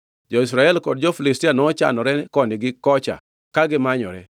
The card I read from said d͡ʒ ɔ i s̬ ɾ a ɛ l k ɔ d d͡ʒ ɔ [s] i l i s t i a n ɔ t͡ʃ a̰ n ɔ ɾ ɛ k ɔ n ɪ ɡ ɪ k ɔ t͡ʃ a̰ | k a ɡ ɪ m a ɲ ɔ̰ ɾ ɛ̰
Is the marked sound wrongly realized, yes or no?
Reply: yes